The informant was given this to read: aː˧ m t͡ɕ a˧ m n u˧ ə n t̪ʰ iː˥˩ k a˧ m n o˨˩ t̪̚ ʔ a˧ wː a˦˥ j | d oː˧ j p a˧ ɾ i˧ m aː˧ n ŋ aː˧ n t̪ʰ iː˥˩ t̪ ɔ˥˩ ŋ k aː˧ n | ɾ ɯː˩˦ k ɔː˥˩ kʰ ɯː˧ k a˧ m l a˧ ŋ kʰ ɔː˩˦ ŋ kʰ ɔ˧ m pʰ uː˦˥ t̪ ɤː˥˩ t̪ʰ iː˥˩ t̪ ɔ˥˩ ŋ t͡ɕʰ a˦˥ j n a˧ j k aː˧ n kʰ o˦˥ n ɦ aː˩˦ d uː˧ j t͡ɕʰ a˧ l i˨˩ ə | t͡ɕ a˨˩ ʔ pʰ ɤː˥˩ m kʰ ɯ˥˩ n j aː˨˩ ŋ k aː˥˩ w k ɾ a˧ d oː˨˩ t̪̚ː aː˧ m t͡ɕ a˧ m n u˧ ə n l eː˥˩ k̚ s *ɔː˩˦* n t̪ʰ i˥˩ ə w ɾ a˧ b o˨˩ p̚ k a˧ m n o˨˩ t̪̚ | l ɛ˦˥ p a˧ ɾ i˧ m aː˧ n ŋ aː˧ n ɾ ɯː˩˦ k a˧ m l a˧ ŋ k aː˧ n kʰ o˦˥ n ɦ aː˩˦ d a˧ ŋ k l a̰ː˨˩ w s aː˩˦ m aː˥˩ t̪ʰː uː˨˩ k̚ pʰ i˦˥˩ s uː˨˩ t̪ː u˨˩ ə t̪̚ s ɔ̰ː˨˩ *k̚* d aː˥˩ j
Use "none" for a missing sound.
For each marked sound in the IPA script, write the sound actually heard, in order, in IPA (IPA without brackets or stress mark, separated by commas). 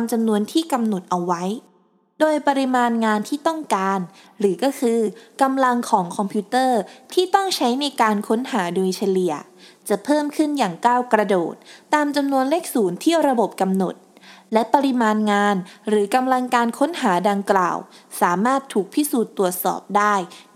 uː˩˦, p̚